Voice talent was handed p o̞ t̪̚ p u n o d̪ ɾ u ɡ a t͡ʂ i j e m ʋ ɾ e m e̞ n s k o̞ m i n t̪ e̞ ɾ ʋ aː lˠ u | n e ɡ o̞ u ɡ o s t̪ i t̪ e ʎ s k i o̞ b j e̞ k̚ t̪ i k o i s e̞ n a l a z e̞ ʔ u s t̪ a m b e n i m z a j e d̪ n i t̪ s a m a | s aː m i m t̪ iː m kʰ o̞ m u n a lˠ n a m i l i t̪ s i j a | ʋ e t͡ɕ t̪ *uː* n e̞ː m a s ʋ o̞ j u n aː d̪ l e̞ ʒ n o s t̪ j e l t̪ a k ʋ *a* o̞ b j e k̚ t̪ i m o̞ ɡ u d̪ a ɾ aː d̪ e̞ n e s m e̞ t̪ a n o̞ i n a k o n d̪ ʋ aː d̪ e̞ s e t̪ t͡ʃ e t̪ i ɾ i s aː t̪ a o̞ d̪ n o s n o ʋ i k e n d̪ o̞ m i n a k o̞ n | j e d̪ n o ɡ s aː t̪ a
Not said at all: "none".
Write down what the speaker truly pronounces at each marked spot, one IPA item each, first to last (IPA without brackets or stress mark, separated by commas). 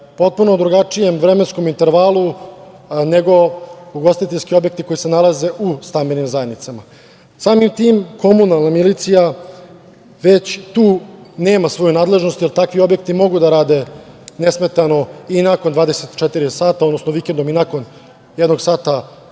uː, i